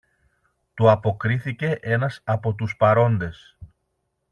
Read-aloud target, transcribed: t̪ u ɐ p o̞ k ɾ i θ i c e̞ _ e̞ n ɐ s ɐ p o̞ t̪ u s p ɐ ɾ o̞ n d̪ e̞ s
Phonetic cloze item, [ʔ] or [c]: ʔ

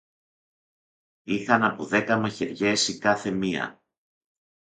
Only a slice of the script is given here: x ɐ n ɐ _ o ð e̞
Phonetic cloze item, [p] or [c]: p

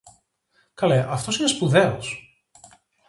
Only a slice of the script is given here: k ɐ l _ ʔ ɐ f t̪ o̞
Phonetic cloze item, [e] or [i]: e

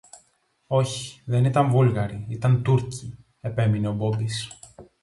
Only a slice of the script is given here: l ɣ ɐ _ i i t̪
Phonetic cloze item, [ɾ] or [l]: ɾ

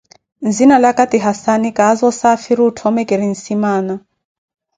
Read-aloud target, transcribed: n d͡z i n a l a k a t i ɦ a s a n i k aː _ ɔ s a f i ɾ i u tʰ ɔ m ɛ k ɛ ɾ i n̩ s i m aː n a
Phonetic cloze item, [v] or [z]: z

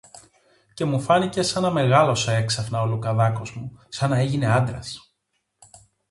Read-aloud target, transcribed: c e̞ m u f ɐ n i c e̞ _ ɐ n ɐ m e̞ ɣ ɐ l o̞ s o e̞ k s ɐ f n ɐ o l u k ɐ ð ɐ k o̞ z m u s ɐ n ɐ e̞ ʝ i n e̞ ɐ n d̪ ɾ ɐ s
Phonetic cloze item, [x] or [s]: s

